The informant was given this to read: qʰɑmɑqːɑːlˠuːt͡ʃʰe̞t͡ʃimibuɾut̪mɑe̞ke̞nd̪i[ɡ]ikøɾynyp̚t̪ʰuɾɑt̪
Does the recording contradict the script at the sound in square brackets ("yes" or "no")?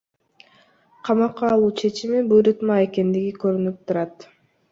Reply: no